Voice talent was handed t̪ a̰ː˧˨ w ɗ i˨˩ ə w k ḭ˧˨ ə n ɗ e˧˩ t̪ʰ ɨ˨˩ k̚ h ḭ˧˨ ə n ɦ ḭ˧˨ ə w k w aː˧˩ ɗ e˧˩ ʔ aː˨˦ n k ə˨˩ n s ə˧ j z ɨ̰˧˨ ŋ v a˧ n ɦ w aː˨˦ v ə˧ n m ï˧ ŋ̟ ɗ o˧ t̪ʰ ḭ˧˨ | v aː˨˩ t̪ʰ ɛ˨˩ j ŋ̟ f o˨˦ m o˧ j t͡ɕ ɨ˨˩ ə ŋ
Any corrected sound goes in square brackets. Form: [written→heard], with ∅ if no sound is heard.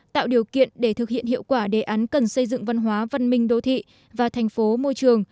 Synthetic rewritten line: t̪ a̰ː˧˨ w ɗ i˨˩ ə w k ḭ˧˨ ə n ɗ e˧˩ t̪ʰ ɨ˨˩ k̚ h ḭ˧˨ ə n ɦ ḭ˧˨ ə w k w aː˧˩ ɗ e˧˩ ʔ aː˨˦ n k ə˨˩ n s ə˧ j z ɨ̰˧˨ ŋ v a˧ n ɦ w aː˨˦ v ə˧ n m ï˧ ŋ̟ ɗ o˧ t̪ʰ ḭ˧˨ | v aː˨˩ t̪ʰ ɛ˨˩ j ŋ̟ f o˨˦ m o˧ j t͡ɕ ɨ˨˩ ə ŋ